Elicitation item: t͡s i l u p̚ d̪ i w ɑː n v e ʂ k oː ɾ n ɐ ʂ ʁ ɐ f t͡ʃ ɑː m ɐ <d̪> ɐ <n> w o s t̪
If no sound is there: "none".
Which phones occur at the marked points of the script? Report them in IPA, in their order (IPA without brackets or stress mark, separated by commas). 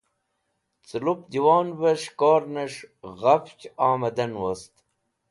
d̪, n